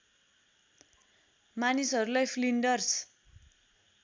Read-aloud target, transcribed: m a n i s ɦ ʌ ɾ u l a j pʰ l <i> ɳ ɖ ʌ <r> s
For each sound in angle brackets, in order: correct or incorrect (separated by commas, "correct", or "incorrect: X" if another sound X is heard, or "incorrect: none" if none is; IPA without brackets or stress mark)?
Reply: correct, correct